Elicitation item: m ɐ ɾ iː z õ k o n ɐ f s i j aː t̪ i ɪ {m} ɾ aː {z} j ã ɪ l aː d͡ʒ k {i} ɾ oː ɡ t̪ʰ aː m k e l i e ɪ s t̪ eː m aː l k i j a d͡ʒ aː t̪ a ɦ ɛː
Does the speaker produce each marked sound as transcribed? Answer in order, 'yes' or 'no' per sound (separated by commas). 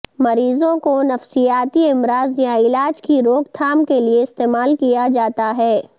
yes, yes, yes